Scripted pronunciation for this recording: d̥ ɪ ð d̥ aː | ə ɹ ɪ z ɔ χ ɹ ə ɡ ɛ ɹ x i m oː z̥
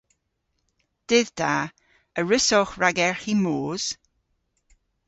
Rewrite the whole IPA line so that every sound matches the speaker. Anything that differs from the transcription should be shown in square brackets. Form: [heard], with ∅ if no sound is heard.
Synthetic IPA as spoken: d̥ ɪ ð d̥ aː | ə ɹ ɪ [s] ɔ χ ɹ [a] ɡ ɛ ɹ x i m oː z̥